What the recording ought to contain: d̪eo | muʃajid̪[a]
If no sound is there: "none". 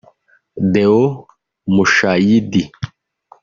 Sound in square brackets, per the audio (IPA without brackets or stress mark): i